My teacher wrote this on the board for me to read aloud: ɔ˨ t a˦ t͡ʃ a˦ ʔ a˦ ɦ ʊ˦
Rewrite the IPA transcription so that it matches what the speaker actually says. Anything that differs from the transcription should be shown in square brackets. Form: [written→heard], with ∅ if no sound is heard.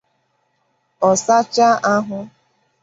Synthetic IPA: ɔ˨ [t→s] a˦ t͡ʃ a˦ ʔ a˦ ɦ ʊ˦